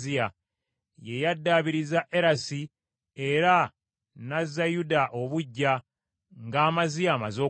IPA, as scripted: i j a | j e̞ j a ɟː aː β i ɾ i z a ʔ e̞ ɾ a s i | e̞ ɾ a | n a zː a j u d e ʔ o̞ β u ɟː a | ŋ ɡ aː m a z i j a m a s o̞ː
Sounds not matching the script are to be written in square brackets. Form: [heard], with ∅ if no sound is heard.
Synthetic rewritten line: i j a | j e̞ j a [dː] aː β i ɾ i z a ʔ e̞ ɾ a s i | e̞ ɾ a | n a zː a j u d [a] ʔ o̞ β u ɟː a | ŋ ɡ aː m a z i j a m a [z] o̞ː